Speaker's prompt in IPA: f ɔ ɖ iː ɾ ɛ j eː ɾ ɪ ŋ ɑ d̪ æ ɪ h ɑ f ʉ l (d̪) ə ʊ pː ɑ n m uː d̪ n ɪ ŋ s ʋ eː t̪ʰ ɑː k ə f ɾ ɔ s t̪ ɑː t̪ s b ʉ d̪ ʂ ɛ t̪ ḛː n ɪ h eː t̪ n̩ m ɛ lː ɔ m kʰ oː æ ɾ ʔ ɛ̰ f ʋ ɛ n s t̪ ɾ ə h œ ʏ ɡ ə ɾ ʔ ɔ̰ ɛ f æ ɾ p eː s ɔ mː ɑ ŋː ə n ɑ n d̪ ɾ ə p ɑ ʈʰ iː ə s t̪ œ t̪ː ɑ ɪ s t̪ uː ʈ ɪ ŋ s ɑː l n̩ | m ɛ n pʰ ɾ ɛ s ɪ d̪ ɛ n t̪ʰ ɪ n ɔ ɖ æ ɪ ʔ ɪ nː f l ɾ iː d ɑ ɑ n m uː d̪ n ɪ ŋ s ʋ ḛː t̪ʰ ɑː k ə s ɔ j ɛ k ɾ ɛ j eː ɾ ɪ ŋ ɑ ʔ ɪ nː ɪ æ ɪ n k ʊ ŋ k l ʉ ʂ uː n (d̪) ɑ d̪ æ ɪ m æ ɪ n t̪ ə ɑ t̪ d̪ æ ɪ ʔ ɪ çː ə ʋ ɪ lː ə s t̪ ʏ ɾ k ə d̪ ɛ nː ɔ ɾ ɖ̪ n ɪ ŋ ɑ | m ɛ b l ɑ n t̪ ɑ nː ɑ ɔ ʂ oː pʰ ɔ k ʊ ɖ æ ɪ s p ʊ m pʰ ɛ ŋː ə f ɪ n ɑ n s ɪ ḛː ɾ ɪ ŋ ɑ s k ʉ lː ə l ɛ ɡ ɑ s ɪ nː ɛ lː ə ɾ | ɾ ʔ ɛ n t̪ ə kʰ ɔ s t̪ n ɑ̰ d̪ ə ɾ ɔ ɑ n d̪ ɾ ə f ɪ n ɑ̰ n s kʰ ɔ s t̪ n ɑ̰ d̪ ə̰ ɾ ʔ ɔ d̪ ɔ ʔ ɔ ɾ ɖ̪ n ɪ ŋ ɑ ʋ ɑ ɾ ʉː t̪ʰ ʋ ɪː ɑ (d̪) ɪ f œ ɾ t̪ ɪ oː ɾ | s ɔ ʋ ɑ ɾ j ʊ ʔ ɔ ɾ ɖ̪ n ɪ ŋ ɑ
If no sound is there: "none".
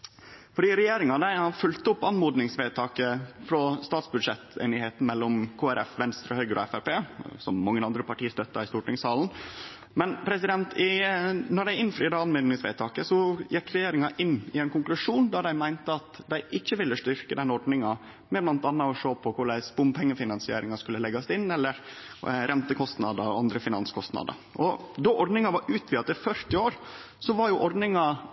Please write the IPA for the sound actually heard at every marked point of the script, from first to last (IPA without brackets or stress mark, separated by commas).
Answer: t̪, d̪, t̪